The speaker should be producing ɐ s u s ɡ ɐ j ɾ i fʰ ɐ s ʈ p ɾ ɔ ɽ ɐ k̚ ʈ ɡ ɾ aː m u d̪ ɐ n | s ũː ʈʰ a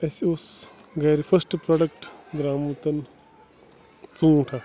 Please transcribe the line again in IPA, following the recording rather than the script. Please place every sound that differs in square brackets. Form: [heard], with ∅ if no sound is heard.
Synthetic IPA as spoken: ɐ s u s ɡ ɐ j ɾ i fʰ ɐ s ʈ p ɾ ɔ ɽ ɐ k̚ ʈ ɡ ɾ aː m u [t̪] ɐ n | [t͡s] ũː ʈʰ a

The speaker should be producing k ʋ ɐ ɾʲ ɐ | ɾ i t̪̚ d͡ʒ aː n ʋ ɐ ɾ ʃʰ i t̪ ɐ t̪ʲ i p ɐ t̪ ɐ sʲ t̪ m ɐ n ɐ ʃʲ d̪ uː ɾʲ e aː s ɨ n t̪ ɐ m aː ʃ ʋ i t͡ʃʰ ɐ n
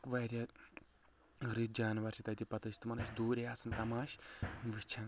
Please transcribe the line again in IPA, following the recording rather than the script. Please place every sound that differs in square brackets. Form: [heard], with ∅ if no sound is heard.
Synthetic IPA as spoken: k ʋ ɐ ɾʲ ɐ | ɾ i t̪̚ d͡ʒ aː n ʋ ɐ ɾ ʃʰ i t̪ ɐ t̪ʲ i p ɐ t̪ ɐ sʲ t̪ m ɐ n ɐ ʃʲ d̪ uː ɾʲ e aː s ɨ n t̪ ɐ m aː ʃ ʋ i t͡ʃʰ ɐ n

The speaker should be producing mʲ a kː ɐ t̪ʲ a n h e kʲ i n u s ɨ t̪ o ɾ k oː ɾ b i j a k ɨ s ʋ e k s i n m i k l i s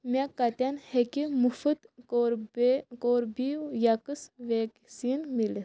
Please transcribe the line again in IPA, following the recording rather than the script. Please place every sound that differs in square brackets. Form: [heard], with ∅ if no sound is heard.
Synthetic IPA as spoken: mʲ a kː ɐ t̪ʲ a n h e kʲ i [m] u [f] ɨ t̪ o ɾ k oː ɾ b i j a k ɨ s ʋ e k s i n m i [∅] l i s

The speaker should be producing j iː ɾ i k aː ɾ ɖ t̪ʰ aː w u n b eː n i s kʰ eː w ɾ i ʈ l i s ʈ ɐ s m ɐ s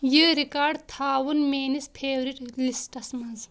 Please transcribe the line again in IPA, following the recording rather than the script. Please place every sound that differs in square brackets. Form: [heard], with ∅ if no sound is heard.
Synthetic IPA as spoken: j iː ɾ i k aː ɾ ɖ t̪ʰ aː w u n [m] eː n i s [pʰ] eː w ɾ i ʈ l i s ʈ ɐ s m ɐ [z]

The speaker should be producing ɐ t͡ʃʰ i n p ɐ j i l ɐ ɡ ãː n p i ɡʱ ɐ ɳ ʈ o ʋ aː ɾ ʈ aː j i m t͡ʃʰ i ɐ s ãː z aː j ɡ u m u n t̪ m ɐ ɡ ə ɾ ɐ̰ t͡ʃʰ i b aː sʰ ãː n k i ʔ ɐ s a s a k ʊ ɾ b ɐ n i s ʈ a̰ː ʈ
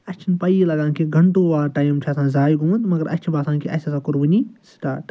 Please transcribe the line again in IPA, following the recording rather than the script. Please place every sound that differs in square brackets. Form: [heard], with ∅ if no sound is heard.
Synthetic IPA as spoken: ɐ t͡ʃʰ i n p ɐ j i l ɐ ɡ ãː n [k] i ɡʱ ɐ ɳ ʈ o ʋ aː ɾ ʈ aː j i m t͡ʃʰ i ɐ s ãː z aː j ɡ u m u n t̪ m ɐ ɡ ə ɾ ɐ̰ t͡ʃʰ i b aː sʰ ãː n k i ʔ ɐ s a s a k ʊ ɾ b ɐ n i s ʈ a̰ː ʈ

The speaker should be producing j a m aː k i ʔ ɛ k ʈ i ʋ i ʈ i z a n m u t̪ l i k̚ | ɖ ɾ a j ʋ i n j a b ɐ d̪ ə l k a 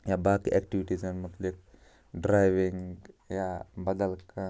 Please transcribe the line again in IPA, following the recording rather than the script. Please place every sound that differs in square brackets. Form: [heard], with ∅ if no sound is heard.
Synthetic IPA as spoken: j a [b] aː k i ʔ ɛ k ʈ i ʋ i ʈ i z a n m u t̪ l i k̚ | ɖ ɾ a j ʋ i [ŋ] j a b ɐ d̪ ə l k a

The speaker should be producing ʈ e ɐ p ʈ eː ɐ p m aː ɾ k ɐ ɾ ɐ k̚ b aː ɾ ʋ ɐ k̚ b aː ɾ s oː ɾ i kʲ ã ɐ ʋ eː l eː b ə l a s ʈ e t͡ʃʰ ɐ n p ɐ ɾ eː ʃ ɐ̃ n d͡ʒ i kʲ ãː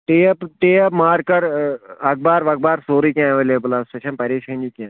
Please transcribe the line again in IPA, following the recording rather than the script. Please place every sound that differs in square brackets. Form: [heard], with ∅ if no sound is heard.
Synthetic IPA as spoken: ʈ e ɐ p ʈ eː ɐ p m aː ɾ k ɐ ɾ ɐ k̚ b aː ɾ ʋ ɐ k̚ b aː ɾ s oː ɾ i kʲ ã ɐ ʋ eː l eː b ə l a s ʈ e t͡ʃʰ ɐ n p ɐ ɾ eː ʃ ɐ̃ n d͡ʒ i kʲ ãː

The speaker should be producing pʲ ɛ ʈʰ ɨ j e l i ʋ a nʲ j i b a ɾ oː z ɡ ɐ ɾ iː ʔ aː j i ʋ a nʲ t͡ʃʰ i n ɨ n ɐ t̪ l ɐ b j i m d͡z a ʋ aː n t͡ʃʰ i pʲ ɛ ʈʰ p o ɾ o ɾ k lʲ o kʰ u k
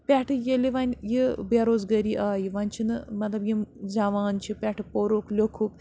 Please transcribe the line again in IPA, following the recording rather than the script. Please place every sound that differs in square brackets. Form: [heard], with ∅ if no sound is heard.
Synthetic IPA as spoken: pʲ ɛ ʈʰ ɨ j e l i ʋ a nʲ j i b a ɾ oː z ɡ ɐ ɾ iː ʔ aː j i ʋ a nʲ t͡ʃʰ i n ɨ [m] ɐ t̪ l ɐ b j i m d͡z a ʋ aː n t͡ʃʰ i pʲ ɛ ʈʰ p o ɾ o [∅] k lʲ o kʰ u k

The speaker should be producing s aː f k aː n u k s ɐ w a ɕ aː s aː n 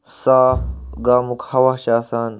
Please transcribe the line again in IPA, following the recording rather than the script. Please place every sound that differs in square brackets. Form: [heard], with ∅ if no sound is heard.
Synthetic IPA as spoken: s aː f [ɡ] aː [m] u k [h] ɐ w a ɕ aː s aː n

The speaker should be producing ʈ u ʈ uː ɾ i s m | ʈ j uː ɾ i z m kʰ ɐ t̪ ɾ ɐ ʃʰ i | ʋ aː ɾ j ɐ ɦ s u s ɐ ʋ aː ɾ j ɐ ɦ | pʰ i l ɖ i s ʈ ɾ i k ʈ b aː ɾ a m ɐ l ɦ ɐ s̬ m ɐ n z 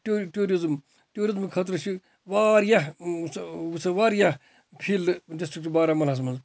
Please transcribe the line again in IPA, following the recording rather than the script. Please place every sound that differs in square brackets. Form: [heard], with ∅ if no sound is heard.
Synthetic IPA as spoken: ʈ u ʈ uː ɾ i [z] m | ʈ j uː ɾ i z m kʰ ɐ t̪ ɾ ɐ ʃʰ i | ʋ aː ɾ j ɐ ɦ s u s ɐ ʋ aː ɾ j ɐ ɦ | pʰ i l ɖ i s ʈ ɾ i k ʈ b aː ɾ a m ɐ l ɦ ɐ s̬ m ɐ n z

